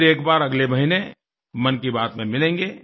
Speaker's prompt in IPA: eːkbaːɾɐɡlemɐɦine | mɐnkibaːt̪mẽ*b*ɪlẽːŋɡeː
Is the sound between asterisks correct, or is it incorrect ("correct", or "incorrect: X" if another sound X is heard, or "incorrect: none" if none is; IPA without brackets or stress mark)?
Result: incorrect: m